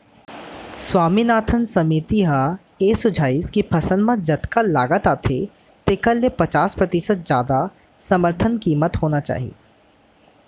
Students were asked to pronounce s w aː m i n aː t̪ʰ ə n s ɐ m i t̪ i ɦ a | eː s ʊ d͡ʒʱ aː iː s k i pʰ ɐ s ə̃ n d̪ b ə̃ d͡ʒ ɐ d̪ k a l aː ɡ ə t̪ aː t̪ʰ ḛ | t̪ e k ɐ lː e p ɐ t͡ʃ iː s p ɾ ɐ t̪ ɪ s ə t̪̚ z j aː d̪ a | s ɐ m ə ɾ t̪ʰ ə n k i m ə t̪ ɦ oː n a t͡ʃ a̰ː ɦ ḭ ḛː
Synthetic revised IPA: s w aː m i n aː t̪ʰ ə n s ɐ m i t̪ i ɦ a | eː s ʊ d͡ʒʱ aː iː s k i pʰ ɐ s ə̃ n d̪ m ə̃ d͡ʒ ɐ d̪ k a l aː ɡ ə t̪ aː t̪ʰ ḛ | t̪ e k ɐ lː e p ɐ t͡ʃ aː s p ɾ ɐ t̪ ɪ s ə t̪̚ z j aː d̪ a | s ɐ m ə ɾ t̪ʰ ə n k iː m ə t̪ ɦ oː n a t͡ʃ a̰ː ɦ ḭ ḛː